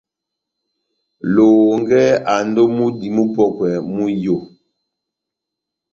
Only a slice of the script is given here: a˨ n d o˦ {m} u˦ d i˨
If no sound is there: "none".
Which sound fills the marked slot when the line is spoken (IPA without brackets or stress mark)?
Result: m